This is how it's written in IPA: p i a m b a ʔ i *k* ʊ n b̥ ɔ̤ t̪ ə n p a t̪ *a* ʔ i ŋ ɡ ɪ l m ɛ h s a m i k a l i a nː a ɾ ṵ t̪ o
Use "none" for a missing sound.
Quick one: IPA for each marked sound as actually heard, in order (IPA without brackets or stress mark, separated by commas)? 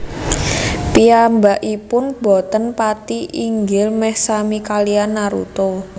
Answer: p, i